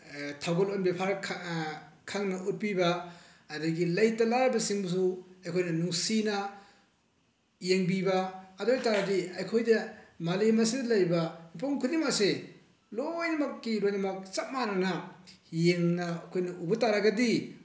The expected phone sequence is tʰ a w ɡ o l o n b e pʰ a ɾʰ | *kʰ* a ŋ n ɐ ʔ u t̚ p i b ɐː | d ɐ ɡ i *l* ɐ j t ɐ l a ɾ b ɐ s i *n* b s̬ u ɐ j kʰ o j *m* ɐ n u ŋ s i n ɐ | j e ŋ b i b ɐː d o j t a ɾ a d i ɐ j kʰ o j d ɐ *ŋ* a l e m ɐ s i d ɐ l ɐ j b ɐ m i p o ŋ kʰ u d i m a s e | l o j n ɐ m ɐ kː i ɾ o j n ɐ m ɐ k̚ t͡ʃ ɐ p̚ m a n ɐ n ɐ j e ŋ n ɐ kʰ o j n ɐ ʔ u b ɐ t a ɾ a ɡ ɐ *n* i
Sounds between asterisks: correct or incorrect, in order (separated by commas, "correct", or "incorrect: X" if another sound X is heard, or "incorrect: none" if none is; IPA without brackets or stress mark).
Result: correct, correct, incorrect: ŋ, incorrect: n, incorrect: m, incorrect: d